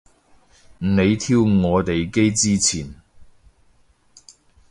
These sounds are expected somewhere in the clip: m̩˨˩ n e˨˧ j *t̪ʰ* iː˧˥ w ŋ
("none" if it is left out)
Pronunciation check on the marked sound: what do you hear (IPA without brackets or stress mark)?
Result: t̪ʰ